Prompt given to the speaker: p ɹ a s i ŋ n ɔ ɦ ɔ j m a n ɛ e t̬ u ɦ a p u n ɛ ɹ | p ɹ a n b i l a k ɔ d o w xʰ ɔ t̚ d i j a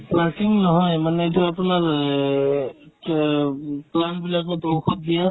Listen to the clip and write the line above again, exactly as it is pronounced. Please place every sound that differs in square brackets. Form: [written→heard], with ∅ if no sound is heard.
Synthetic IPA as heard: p [ɹ→l] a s i ŋ n ɔ ɦ ɔ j m a n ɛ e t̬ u [ɦ→∅] a p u n [ɛ→a] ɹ | p [ɹ→l] a n b i l a k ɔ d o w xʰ ɔ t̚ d i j a